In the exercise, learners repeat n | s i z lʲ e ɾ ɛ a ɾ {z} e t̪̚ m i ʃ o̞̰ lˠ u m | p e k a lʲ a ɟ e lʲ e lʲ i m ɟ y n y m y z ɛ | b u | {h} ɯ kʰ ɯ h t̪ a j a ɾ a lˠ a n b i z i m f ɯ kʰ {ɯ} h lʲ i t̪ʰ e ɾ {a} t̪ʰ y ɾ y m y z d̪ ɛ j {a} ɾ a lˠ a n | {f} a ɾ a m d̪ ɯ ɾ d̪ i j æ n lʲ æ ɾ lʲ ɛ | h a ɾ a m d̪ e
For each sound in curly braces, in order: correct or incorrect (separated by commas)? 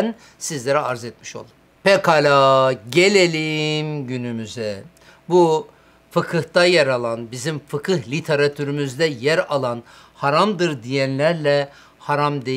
correct, incorrect, correct, correct, incorrect, incorrect